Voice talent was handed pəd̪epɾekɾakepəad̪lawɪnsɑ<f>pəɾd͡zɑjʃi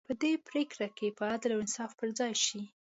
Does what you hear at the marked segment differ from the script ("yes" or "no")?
no